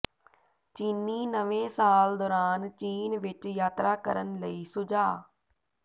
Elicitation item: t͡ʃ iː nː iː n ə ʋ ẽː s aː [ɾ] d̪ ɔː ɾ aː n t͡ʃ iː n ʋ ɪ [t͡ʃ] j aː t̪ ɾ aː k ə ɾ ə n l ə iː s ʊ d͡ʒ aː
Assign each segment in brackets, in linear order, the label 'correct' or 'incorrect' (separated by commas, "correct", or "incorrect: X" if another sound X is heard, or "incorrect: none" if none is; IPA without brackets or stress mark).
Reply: incorrect: l, correct